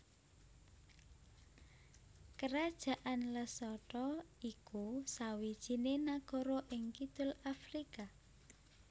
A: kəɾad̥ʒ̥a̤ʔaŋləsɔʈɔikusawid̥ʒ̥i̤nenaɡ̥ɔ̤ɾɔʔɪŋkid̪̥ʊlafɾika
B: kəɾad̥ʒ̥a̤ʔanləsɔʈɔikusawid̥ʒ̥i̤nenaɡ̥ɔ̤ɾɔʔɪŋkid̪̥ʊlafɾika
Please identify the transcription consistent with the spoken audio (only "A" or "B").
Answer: B